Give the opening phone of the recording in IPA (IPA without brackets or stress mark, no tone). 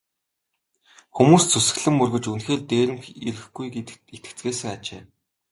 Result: x